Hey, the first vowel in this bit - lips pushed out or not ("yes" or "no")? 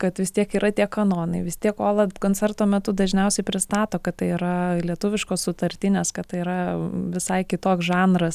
no